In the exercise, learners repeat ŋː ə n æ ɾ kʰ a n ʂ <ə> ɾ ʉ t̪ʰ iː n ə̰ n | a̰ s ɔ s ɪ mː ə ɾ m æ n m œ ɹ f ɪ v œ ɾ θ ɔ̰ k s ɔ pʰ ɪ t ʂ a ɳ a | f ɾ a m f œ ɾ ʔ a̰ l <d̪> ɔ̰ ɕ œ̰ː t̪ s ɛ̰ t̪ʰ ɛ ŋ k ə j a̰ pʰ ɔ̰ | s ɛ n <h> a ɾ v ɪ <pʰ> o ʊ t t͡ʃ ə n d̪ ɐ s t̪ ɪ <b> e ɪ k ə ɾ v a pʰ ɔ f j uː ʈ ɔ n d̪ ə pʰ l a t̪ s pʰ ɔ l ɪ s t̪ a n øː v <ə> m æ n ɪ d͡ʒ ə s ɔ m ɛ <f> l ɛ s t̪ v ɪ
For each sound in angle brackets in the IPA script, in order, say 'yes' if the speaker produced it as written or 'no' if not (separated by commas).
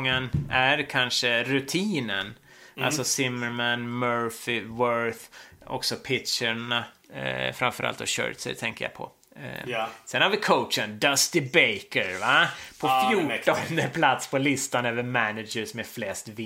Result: yes, no, yes, no, yes, yes, yes